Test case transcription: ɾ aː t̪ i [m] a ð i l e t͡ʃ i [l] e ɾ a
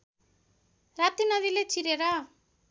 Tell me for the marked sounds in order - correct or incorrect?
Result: incorrect: n, incorrect: ɾ

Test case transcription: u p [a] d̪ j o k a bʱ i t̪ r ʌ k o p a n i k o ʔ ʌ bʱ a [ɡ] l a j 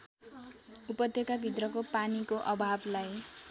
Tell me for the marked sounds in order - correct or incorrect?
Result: incorrect: ʌ, incorrect: b

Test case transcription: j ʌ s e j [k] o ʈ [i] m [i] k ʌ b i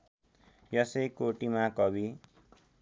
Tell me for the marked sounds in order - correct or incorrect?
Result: correct, correct, incorrect: a

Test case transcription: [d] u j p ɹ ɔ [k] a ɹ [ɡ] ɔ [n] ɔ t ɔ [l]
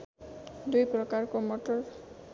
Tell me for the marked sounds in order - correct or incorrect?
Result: correct, correct, incorrect: k, incorrect: m, incorrect: ɹ

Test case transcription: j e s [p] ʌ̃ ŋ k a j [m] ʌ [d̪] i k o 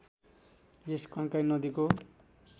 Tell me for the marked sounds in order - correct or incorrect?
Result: incorrect: k, incorrect: n, correct

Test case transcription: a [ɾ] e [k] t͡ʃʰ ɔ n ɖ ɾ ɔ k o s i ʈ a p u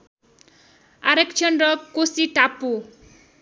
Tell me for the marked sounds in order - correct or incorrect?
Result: correct, correct

